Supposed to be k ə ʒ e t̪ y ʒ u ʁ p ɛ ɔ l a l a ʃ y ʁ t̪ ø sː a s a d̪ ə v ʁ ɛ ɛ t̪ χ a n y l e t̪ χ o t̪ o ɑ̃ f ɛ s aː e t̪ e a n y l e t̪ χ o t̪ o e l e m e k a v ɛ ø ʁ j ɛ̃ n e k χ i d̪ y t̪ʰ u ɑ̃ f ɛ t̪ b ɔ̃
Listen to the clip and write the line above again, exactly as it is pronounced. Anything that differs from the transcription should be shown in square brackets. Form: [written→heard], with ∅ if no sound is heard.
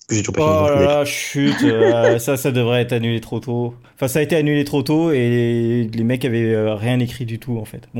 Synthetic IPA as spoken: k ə ʒ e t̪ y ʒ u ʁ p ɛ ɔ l a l a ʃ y [ʁ→∅] t̪ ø [sː→s] a s a d̪ ə v ʁ ɛ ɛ t̪ χ a n y l e t̪ χ o t̪ o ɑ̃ f [ɛ→ɛ̃] s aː e t̪ e a n y l e t̪ χ o t̪ o e l e m [e→ɛ] k a v ɛ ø ʁ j ɛ̃ n e k χ i d̪ y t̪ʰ u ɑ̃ f ɛ t̪ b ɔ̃